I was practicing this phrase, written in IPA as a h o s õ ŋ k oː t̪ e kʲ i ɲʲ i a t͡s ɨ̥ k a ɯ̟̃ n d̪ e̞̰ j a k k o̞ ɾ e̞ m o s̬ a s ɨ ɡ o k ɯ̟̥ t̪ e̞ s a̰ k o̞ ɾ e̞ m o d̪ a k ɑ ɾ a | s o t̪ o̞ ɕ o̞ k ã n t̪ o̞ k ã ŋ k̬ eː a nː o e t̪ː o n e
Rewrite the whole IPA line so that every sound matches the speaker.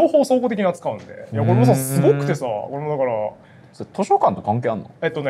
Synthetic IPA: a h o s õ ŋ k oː t̪ e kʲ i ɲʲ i a t͡s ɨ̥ k a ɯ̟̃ n d̪ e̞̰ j a k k o̞ ɾ e̞ m o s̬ a s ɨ ɡ o k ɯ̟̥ t̪ e̞ s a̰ k o̞ ɾ e̞ m o d̪ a k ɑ ɾ a | s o t̪ o̞ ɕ o̞ k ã n t̪ o̞ k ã ŋ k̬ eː a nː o e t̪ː o n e